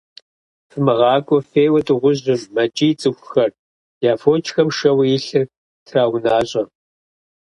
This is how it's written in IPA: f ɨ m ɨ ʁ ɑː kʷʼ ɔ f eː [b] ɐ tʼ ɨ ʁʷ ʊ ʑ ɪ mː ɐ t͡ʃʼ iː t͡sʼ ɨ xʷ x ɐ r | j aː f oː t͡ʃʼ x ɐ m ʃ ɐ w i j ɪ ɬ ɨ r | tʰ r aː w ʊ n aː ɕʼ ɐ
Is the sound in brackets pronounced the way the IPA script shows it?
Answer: no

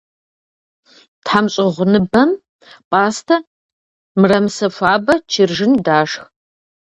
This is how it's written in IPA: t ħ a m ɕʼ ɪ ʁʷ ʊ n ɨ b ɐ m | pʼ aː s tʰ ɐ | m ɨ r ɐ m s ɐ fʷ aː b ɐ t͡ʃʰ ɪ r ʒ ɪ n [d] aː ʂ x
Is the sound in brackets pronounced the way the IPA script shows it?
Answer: yes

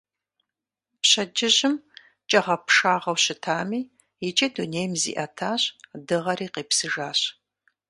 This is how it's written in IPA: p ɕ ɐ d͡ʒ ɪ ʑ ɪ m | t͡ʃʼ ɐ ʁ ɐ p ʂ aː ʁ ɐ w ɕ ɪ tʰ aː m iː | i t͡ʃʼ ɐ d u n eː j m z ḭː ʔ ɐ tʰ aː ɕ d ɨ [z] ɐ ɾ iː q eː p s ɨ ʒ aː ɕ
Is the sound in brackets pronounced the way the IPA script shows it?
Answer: no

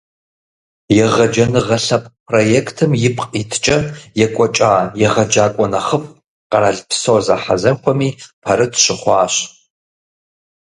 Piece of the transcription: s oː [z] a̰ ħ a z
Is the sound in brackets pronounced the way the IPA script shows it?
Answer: yes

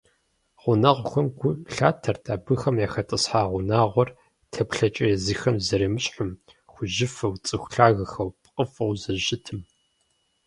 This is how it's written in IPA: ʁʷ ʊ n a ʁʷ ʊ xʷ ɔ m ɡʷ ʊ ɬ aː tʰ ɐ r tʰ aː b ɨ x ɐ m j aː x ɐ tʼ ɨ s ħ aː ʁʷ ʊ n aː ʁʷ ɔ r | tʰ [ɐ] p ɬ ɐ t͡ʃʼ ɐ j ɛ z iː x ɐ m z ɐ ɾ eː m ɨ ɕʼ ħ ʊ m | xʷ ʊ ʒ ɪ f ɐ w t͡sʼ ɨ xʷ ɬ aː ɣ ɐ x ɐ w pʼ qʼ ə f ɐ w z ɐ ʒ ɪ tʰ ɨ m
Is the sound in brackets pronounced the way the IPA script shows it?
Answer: yes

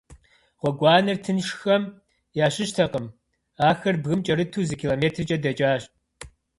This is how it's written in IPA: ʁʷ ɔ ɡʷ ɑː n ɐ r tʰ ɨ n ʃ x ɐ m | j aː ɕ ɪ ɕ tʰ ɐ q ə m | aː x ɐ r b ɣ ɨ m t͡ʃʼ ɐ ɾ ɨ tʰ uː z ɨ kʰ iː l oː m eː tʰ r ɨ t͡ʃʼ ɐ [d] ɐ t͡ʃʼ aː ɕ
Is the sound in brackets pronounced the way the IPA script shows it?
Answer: yes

